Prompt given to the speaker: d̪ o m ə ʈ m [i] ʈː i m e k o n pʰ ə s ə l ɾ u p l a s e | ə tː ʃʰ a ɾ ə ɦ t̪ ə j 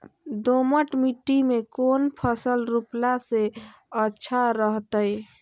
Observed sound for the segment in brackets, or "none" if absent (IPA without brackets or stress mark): i